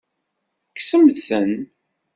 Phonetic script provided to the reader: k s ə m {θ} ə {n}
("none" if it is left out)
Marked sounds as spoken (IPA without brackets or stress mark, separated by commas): θ, n